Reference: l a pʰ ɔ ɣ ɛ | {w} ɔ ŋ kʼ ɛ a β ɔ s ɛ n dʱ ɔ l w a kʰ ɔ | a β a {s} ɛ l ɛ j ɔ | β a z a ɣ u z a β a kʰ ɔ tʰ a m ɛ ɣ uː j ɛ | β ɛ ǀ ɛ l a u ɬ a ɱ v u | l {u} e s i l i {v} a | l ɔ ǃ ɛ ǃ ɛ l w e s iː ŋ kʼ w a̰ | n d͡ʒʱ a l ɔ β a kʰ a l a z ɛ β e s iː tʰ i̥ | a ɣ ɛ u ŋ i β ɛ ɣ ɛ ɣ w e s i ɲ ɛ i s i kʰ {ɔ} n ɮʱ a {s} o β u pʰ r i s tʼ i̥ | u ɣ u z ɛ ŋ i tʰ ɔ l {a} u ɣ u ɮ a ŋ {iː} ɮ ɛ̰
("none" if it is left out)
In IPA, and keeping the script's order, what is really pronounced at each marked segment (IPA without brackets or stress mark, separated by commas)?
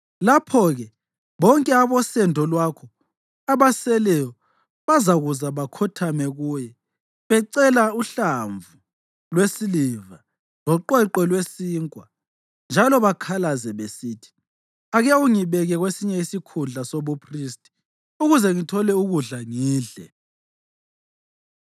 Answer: β, s, w, v, u, s, ɛ, iː